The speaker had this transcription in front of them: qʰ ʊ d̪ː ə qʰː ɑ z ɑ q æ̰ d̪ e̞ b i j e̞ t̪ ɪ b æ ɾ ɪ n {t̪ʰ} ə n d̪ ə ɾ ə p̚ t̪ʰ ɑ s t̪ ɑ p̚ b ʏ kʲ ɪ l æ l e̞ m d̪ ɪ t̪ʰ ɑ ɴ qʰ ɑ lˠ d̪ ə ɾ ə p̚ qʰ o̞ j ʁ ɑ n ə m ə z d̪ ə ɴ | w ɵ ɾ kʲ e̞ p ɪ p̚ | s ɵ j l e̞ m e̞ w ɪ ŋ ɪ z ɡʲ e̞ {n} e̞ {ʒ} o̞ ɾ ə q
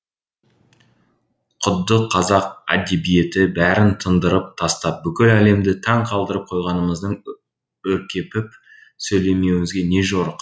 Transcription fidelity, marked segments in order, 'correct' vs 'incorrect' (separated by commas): correct, correct, correct